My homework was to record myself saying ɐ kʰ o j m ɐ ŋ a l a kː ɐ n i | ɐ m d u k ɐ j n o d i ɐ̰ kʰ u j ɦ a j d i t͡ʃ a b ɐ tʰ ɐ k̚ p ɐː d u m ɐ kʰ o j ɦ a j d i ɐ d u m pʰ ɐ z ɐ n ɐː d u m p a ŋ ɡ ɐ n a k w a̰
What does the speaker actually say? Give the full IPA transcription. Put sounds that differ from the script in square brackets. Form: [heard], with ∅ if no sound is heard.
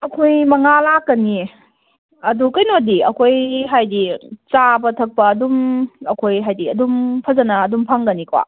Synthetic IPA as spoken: ɐ kʰ o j m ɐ ŋ a l a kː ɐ n i | ɐ [∅] d u k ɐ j n o d i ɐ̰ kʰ [o] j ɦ a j d i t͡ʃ a b ɐ tʰ ɐ k̚ p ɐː d u m ɐ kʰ o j ɦ a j d i ɐ d u m pʰ ɐ z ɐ n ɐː d u m [pʰ] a ŋ ɡ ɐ n [i] k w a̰

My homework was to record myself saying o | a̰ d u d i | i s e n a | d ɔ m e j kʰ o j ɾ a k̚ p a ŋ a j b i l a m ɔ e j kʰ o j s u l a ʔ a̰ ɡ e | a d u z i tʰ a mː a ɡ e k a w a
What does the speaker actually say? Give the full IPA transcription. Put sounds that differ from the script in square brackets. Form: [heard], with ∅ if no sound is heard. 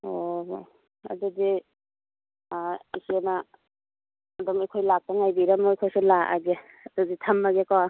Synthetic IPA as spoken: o | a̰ d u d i | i s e n a | d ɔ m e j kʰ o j [l] a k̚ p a ŋ a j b i [ɾ] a m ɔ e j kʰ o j s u l a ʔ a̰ ɡ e | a d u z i tʰ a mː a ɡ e k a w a

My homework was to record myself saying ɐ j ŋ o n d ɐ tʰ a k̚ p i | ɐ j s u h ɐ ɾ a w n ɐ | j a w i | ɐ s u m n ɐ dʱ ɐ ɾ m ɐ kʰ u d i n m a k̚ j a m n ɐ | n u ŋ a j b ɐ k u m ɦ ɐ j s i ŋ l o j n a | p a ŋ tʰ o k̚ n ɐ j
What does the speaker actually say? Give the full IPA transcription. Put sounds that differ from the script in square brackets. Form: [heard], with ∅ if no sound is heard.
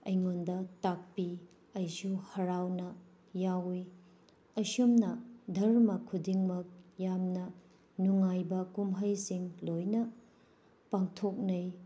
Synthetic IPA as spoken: ɐ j ŋ o n d ɐ [t] a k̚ p i | ɐ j s u h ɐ ɾ a w n ɐ | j a w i | ɐ s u m n ɐ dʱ ɐ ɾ m ɐ kʰ u d i [ŋ] m [ɐ] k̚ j a m n ɐ | n u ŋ a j b ɐ k u m ɦ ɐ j s i ŋ l o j n [ɐ] | p a ŋ tʰ o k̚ n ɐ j

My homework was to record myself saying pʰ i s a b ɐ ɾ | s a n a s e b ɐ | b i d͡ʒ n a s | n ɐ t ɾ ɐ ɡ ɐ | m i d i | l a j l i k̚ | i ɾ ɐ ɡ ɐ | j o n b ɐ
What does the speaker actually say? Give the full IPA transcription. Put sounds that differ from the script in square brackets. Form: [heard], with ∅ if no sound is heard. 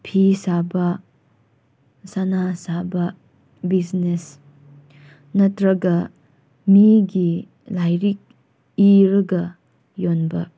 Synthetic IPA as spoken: pʰ i s a b ɐ [∅] | s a n a s [a] b ɐ | b i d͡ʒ n [e] s | n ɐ t ɾ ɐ ɡ ɐ | m i [ɡ] i | l a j [ɾ] i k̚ | i ɾ ɐ ɡ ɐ | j o n b ɐ

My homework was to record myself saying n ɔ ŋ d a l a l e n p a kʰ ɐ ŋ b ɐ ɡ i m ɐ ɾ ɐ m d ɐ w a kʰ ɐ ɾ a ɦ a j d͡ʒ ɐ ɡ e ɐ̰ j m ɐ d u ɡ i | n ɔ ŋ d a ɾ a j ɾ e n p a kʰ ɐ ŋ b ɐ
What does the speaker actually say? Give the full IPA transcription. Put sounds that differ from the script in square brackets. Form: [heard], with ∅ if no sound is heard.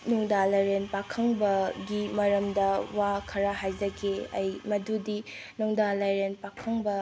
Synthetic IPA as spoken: n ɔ ŋ d a l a [ɾ] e n p a kʰ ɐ ŋ b ɐ ɡ i m ɐ ɾ ɐ m d ɐ w a kʰ ɐ ɾ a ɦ a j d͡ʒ ɐ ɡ e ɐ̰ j m ɐ d u [d] i | n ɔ ŋ d a [l] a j ɾ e n p a kʰ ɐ ŋ b ɐ

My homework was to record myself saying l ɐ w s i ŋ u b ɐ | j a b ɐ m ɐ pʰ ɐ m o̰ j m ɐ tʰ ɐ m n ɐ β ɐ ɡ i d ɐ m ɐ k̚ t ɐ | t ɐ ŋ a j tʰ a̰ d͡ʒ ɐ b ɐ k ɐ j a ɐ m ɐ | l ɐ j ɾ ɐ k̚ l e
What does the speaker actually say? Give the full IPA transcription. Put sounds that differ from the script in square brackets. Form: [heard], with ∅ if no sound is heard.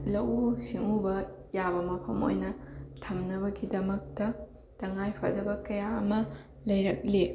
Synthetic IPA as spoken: l ɐ w s i ŋ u b ɐ | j a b ɐ m ɐ pʰ ɐ m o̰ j [n] ɐ tʰ ɐ m n ɐ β ɐ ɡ i d ɐ m ɐ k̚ t ɐ | t ɐ ŋ a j [pʰ] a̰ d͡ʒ ɐ b ɐ k ɐ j a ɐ m ɐ | l ɐ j ɾ ɐ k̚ l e

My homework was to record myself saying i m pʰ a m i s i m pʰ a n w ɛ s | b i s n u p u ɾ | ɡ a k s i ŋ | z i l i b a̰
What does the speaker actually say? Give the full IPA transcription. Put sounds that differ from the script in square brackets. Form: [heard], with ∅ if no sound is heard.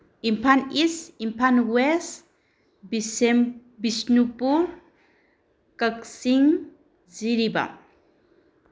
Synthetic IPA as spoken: i m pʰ a [n] i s i m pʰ a n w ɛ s | b i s n u p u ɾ | [k] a k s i ŋ | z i [ɾ] i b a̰

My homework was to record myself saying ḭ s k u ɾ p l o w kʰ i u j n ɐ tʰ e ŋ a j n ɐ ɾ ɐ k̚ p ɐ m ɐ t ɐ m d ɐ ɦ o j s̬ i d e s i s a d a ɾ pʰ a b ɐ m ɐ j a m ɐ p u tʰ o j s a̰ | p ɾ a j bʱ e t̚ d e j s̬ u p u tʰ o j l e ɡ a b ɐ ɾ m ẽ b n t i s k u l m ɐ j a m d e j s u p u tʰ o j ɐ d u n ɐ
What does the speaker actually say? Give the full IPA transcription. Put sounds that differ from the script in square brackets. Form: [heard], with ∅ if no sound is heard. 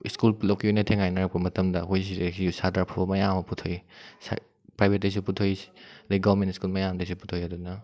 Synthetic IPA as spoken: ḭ s k u [l] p l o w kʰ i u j n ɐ tʰ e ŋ a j n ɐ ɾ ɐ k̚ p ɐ m ɐ t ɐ m d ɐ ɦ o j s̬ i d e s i s a d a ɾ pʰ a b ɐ m ɐ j a m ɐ p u tʰ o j s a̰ | p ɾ a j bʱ e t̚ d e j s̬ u p u tʰ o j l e ɡ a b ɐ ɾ m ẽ [∅] n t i s k u l m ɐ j a m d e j s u p u tʰ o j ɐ d u n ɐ

